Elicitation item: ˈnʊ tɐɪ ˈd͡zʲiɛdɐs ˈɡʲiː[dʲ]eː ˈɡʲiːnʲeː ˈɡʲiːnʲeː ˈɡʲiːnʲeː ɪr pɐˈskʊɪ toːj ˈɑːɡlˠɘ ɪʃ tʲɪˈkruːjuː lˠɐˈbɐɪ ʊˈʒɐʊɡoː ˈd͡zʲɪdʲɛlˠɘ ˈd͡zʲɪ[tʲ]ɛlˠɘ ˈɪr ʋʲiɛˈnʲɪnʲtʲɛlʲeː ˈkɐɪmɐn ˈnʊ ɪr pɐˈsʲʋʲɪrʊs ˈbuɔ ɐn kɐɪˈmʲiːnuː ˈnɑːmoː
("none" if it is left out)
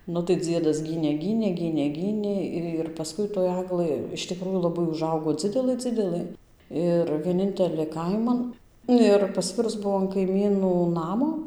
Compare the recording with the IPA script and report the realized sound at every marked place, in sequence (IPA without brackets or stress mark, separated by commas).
nʲ, dʲ